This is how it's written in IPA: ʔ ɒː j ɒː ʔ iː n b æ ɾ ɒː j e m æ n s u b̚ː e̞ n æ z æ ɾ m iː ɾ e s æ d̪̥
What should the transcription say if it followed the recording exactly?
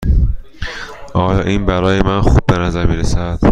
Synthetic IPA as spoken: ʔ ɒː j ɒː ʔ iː n b æ ɾ ɒː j e m æ n x u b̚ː e̞ n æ z æ ɾ m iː ɾ e s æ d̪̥